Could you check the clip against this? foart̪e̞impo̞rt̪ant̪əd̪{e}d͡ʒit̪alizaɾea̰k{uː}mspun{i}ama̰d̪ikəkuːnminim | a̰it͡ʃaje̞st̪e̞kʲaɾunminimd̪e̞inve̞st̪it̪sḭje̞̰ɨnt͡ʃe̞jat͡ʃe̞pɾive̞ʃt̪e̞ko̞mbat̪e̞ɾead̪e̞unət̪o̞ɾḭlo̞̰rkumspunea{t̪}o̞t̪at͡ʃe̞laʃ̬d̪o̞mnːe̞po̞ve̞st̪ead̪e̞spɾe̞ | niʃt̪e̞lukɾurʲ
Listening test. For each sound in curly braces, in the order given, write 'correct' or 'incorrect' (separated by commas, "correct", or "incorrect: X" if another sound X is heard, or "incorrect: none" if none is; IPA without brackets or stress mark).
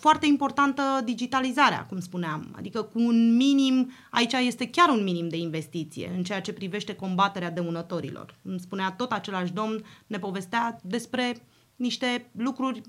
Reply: incorrect: i, incorrect: u, incorrect: e, correct